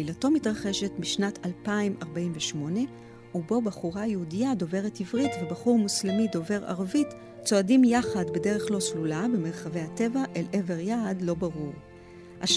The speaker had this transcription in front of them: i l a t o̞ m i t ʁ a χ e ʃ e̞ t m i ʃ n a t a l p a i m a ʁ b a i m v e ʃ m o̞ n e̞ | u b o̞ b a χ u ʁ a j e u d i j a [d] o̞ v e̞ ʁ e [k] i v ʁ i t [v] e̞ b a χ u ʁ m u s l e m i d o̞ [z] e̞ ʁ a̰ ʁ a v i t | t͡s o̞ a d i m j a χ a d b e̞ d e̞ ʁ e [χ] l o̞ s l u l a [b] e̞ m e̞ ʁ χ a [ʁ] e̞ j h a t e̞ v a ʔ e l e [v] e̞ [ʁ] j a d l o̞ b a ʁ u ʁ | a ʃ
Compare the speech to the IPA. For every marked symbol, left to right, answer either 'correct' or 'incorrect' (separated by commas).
correct, incorrect, correct, incorrect, correct, correct, incorrect, correct, correct